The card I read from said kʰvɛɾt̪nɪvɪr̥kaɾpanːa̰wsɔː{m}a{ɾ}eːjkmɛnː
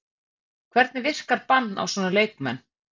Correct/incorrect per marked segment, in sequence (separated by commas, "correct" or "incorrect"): incorrect, incorrect